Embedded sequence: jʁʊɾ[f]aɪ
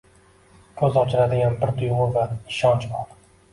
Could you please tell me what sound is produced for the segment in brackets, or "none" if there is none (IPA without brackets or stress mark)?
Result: v